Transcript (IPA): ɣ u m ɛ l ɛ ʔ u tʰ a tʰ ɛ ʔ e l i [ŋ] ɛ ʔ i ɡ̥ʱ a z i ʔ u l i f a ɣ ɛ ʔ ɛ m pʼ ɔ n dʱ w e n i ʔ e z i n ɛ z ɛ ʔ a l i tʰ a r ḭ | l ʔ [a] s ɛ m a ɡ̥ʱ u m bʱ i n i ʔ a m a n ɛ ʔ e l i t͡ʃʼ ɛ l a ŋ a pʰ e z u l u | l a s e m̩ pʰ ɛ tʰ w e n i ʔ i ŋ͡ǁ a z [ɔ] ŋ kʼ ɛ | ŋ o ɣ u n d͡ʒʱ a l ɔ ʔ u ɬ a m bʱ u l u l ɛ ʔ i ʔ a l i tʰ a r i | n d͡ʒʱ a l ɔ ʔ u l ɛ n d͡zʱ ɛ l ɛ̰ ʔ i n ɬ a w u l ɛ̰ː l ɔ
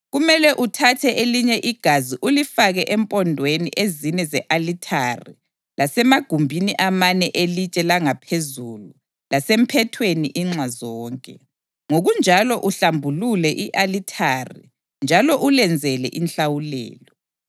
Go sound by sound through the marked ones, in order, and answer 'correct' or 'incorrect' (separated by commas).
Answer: incorrect, correct, incorrect